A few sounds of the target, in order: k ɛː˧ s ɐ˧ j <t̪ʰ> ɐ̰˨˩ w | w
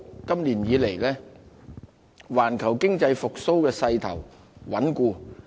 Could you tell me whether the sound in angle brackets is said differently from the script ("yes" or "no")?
no